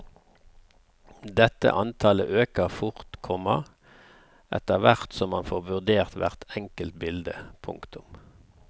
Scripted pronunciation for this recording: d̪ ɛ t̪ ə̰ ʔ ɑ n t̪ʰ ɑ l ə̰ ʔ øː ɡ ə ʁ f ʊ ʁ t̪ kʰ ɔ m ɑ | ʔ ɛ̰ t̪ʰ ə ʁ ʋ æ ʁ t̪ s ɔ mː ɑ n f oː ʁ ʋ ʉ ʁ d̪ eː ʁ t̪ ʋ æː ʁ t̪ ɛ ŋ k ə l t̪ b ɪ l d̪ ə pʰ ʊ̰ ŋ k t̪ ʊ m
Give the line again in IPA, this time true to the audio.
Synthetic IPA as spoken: d̪ ɛ t̪ ə̰ ʔ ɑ n t̪ʰ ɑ l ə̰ ʔ øː k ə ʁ f ʊ ʁ t̪ kʰ ɔ m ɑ | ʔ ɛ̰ t̪ ə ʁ ʋ æ ʁ t̪ s ɔ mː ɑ n f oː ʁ ʋ ʉ ʁ d̪ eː ʁ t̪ ʋ æ ʁ t̪ ɛ ŋ k ə l t̪ b ɪ l d̪ ə pʰ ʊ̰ ŋ k t̪ ʊ m